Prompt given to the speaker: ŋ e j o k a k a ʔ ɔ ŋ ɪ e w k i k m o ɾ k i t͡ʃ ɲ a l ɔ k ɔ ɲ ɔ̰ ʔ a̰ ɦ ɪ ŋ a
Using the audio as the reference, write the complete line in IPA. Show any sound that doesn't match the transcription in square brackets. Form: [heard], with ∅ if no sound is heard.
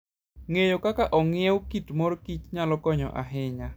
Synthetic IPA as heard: ŋ e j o k a k a ʔ ɔ ŋ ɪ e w k i [t] m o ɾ k i t͡ʃ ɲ a l ɔ k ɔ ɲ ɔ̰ ʔ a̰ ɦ ɪ [ɲ] a